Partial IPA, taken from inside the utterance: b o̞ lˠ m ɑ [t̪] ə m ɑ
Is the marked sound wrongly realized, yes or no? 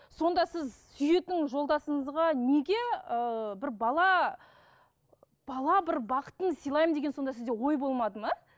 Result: yes